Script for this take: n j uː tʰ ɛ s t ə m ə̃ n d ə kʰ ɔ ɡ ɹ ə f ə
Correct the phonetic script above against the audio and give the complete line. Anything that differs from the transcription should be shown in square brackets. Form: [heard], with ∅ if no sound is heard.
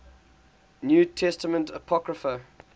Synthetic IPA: n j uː tʰ ɛ s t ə m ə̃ n [t] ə [pʰ] ɔ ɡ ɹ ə f ə